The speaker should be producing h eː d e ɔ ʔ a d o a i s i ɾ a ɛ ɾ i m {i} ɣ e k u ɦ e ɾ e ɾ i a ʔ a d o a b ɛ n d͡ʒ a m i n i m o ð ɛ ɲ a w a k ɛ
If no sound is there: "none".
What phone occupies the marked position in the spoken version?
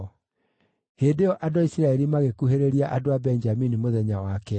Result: a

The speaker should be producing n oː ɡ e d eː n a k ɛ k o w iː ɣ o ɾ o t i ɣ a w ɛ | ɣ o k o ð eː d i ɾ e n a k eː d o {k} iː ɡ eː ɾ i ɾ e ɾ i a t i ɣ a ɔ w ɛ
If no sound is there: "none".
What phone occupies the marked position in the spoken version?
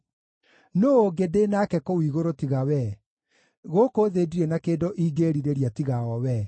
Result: ʔ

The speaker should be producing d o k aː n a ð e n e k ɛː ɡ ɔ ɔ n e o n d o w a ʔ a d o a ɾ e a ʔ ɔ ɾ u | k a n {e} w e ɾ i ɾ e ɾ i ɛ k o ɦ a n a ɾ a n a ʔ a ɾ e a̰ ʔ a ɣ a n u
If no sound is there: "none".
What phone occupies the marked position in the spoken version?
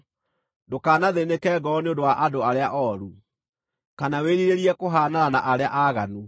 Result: a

